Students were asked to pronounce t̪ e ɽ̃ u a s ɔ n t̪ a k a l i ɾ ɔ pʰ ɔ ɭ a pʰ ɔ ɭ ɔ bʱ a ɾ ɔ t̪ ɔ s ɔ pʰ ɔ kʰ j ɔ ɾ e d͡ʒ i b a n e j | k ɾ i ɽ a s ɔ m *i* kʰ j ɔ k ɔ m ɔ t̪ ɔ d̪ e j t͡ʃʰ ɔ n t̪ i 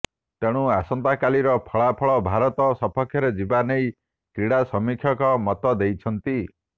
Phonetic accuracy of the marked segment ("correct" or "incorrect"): correct